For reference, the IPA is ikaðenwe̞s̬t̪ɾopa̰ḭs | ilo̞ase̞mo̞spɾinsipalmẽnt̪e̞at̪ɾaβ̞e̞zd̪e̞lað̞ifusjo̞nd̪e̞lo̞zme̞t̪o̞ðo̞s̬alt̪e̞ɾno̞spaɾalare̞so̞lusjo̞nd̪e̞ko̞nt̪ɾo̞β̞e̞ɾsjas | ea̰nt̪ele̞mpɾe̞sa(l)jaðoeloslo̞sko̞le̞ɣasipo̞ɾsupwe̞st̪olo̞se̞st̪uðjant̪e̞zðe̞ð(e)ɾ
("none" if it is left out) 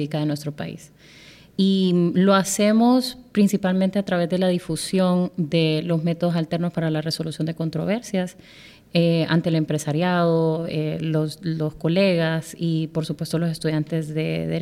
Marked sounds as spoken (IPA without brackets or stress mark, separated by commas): ɾ, e